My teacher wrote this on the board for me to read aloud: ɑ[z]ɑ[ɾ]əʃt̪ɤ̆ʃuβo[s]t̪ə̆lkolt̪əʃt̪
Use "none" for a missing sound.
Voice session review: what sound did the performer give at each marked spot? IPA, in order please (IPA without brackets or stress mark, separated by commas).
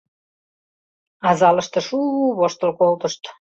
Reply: z, l, ʃ